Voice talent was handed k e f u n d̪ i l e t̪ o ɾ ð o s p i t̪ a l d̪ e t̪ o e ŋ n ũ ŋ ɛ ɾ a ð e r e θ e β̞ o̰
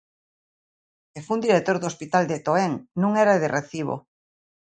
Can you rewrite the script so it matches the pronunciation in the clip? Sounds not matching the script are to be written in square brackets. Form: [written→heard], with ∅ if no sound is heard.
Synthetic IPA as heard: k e f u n d̪ i [l→ɾ] e t̪ o ɾ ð o s p i t̪ a l d̪ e t̪ o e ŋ n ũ ŋ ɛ ɾ a ð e r e θ [e→i] β̞ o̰